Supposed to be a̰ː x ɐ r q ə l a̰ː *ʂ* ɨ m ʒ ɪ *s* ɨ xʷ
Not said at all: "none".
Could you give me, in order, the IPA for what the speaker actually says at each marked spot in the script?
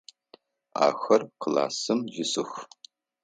s, s

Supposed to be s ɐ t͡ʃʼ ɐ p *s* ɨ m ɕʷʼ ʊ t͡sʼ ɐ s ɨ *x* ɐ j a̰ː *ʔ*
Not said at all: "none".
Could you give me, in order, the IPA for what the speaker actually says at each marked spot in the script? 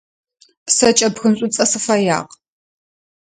x, f, q

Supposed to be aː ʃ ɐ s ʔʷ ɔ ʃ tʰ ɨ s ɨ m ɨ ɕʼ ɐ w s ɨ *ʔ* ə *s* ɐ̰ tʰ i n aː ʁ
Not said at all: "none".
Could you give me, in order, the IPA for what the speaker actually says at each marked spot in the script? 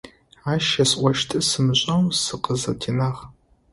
q, z

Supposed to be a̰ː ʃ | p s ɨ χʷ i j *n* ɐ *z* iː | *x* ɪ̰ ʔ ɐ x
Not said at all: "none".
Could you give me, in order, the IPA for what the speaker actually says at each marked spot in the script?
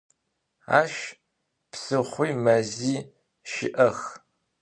m, z, ʃ

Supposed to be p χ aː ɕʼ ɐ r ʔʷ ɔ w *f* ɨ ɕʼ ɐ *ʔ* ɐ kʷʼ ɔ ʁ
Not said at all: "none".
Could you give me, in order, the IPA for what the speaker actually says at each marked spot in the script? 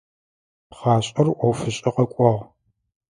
f, q

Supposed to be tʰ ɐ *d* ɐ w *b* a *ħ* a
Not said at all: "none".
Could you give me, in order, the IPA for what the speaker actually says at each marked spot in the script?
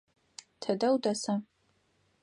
d, d, s

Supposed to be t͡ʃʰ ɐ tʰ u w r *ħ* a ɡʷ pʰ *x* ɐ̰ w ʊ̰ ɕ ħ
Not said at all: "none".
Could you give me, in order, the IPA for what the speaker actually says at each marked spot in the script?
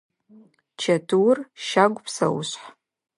ʃ, s

